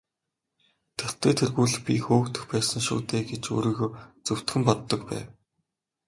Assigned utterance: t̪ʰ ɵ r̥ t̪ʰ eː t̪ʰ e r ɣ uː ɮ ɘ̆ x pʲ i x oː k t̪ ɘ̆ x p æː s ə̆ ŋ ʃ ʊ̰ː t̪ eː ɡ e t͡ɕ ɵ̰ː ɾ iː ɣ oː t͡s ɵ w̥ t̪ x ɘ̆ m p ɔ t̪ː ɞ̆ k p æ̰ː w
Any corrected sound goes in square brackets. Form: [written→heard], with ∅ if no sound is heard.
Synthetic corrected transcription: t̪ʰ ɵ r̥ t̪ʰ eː t̪ʰ e r ɣ uː ɮ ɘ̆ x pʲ i x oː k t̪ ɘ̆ x p æː s ə̆ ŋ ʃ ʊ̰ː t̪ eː ɡ e t͡ɕ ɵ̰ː ɾ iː ɣ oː t͡s ɵ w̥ t̪ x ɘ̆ m p ɔ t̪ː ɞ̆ k p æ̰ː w

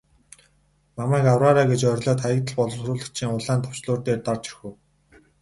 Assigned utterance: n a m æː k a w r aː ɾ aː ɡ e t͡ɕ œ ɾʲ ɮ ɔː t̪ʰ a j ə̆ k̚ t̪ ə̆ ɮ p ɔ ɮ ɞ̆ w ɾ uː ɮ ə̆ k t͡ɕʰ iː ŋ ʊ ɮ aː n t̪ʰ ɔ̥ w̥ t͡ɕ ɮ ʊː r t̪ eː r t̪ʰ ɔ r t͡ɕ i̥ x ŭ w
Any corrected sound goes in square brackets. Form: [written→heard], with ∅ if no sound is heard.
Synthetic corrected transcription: [n→m] a m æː k a w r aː ɾ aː ɡ e t͡ɕ œ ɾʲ ɮ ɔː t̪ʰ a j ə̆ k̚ t̪ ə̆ ɮ p ɔ ɮ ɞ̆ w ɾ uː ɮ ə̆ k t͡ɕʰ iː ŋ ʊ ɮ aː n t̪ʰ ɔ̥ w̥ t͡ɕ ɮ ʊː r t̪ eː r [t̪ʰ→t̪] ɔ r t͡ɕ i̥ x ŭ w

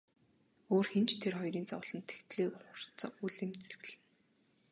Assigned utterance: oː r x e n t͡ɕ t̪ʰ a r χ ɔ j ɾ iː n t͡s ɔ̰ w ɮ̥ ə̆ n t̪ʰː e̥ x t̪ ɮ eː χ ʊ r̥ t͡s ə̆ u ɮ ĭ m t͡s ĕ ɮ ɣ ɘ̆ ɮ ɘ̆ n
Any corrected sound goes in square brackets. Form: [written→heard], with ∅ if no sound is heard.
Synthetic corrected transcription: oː r x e n t͡ɕ t̪ʰ [a→e] r χ ɔ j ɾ iː n t͡s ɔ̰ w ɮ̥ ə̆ n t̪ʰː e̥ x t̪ ɮ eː χ ʊ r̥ t͡s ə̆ u ɮ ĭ m t͡s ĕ ɮ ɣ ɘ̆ ɮ ɘ̆ n

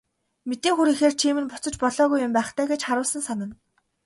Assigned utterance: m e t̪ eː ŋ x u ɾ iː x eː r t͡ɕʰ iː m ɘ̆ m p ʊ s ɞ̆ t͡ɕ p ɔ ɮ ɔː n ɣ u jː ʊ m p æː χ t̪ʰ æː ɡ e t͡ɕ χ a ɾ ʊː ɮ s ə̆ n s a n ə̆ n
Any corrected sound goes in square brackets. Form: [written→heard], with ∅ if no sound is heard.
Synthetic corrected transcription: m e t̪ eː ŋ x u ɾ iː x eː r t͡ɕʰ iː m ɘ̆ [m→n] p ʊ [s→t͡s] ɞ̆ t͡ɕ p ɔ ɮ ɔː [n→∅] ɣ u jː ʊ m p æː χ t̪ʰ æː ɡ e t͡ɕ χ a ɾ ʊː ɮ s ə̆ n s a n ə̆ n

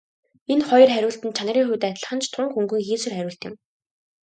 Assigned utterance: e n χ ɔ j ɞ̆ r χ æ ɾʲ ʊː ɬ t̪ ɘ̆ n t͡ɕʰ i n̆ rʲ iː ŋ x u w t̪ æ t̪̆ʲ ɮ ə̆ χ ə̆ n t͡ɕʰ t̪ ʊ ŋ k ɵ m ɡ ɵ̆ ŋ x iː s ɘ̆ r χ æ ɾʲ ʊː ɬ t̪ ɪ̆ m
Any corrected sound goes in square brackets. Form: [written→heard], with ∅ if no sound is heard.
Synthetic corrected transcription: e n χ ɔ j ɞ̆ r χ æ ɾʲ ʊː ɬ t̪ ɘ̆ n t͡ɕʰ [i→a] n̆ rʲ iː ŋ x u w t̪ æ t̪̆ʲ ɮ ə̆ χ ə̆ n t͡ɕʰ [t̪→t̪ʰ] ʊ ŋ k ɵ [m→ŋ] ɡ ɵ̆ ŋ x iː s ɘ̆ r χ æ ɾʲ ʊː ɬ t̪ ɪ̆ m

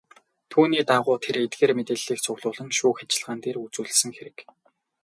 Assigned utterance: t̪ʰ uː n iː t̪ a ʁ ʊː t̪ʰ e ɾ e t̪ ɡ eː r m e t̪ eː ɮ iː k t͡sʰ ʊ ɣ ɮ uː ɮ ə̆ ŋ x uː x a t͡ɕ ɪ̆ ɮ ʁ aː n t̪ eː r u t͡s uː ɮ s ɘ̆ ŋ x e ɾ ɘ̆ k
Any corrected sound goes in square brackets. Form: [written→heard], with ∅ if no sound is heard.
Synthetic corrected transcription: t̪ʰ uː n iː t̪ a ʁ ʊː t̪ʰ e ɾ e t̪ ɡ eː r m e t̪ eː ɮ iː k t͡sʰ ʊ ɣ ɮ [uː→ʊː] ɮ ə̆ ŋ [x→ʃ] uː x a t͡ɕ ɪ̆ ɮ ʁ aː n t̪ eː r u t͡s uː ɮ s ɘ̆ ŋ x e ɾ ɘ̆ k

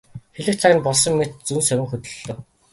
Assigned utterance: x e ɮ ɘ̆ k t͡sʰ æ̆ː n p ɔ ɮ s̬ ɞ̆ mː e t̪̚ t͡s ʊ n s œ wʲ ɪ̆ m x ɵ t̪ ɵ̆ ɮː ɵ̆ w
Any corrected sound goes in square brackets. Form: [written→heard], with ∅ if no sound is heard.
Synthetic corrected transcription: x e ɮ ɘ̆ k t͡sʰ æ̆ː n p ɔ ɮ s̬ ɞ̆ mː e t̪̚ t͡s [ʊ→u] n s œ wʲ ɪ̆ [m→ŋ] x ɵ t̪ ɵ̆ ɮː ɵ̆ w

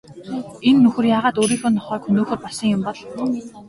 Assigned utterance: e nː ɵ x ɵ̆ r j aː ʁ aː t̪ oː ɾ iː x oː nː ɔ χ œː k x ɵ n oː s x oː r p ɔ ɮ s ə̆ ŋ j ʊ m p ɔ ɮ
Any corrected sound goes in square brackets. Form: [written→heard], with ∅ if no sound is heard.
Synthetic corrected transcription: e nː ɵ x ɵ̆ r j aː ʁ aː t̪ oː ɾ iː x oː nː ɔ χ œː k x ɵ n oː [s→∅] x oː r p ɔ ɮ s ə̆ ŋ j ʊ m p ɔ ɮ

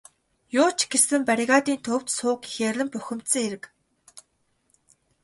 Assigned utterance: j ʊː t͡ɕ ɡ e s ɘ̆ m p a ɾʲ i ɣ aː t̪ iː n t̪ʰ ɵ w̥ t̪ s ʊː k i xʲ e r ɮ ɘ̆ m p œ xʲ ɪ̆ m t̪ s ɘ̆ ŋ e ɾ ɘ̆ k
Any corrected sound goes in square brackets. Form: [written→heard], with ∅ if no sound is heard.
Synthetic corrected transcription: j ʊː t͡ɕ ɡ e s ɘ̆ m p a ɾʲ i ɣ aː t̪ iː n t̪ʰ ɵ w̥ t̪ s ʊː k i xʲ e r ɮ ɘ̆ m p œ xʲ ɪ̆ m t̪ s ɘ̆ ŋ e ɾ ɘ̆ k

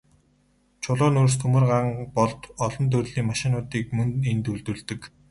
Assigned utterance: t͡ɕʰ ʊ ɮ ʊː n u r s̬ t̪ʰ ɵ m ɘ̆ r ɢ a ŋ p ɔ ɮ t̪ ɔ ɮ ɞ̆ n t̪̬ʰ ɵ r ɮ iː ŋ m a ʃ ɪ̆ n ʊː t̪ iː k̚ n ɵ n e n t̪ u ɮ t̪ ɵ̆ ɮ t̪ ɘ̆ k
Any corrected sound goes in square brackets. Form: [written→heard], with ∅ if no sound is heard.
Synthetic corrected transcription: t͡ɕʰ ʊ ɮ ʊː n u r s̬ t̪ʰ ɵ m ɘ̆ r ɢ a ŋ p ɔ ɮ t̪ ɔ ɮ ɞ̆ n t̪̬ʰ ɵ r ɮ iː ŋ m a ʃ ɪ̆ n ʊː t̪ iː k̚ [n→m] ɵ n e n t̪ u ɮ t̪ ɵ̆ ɮ t̪ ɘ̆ k

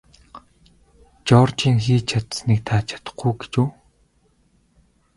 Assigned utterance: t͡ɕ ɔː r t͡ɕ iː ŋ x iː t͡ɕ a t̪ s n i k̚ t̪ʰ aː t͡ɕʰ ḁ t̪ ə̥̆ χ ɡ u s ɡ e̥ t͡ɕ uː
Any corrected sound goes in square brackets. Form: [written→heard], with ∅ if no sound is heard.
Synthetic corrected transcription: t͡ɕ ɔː r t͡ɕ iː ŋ x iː [t͡ɕ→t͡ɕʰ] a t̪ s n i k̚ t̪ʰ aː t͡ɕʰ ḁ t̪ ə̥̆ χ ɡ u [s→∅] ɡ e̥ t͡ɕ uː

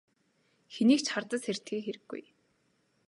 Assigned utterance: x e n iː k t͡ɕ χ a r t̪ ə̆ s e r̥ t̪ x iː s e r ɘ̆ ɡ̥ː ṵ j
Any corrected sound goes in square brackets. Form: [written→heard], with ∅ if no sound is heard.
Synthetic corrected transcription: x e n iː k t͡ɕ χ a r t̪ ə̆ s e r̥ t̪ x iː [s→x] e [r→ɾ] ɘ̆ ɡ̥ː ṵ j

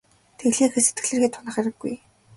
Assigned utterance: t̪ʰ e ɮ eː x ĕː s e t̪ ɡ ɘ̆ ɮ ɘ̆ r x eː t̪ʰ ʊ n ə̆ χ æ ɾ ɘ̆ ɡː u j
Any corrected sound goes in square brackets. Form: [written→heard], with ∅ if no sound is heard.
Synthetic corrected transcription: t̪ʰ e ɮ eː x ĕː s e t̪ ɡ ɘ̆ ɮ ɘ̆ r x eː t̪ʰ ʊ n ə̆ χ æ ɾ ɘ̆ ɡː u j

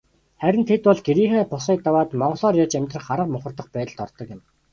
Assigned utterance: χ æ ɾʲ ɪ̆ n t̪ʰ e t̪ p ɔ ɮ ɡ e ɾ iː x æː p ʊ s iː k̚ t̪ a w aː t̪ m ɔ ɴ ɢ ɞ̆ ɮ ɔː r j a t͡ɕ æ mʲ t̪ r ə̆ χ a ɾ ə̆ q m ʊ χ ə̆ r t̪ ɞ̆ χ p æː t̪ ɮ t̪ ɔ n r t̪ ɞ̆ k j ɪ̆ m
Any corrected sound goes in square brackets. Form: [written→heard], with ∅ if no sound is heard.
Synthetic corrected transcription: χ æ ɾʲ ɪ̆ n t̪ʰ e t̪ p ɔ ɮ ɡ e ɾ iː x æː p ʊ s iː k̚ t̪ a w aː t̪ m ɔ ɴ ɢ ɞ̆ ɮ ɔː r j a t͡ɕ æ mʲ t̪ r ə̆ χ a ɾ ə̆ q m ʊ χ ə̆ r t̪ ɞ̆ χ p æː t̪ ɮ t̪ ɔ [n→∅] r t̪ ɞ̆ k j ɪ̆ m

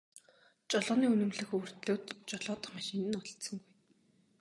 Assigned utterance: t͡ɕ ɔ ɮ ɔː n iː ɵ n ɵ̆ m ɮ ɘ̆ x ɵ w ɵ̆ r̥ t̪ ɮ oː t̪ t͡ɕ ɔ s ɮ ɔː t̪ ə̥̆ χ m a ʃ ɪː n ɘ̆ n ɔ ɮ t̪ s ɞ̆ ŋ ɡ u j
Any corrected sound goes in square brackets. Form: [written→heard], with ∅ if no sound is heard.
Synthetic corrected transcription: t͡ɕ ɔ ɮ ɔː n iː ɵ n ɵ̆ m ɮ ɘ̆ x ɵ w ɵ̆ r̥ t̪ ɮ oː t̪ t͡ɕ ɔ [s→∅] ɮ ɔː t̪ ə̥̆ χ m a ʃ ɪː n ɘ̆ n ɔ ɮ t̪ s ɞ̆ ŋ ɡ u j

